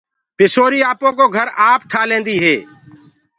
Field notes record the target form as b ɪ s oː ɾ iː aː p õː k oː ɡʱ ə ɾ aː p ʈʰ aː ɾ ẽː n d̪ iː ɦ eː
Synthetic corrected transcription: p ɪ s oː ɾ iː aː p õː k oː ɡʱ ə ɾ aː p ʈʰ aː l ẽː n d̪ iː ɦ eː